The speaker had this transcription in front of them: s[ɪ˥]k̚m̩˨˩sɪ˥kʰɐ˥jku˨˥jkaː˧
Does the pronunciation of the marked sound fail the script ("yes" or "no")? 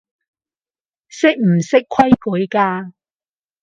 no